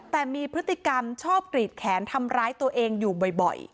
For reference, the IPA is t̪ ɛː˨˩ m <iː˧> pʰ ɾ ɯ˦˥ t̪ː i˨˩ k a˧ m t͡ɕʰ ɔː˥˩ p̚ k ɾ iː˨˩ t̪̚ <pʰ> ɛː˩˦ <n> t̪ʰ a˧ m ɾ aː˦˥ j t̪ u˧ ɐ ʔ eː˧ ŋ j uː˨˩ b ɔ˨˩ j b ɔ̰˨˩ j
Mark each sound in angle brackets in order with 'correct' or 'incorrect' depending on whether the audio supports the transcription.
correct, incorrect, correct

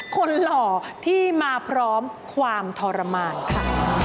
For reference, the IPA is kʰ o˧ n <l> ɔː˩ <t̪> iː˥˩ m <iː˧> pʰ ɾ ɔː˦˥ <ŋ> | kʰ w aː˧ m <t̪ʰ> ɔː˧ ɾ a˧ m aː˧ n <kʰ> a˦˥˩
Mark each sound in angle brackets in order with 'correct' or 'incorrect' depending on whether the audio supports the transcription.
correct, incorrect, incorrect, incorrect, correct, correct

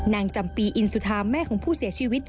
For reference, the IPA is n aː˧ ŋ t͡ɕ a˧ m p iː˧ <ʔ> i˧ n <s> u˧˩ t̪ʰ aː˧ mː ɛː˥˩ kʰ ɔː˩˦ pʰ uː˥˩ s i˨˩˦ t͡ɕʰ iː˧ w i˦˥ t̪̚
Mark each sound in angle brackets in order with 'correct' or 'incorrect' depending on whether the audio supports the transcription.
correct, correct

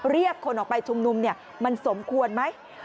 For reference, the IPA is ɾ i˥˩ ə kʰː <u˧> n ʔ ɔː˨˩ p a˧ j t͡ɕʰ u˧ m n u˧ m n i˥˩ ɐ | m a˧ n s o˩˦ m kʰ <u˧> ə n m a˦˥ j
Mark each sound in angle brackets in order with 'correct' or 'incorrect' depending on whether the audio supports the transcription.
incorrect, correct

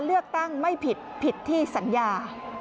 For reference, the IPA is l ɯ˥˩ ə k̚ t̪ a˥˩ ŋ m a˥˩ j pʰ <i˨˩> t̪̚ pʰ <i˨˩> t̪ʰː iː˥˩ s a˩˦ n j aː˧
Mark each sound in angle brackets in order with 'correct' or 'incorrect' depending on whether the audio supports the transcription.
correct, correct

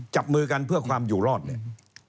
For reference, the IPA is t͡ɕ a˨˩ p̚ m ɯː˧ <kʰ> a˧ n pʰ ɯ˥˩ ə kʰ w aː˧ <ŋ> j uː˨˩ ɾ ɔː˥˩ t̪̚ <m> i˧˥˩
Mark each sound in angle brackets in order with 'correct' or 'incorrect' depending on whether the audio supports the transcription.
incorrect, incorrect, incorrect

